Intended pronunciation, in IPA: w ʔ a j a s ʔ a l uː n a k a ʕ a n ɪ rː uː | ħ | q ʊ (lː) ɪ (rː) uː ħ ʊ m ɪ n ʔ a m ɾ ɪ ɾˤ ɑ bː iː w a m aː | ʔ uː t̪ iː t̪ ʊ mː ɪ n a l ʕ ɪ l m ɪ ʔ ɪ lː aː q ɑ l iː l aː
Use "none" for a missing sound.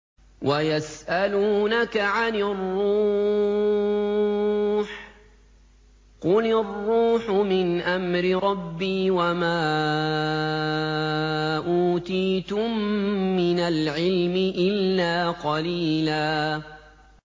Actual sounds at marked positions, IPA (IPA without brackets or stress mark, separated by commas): l, rː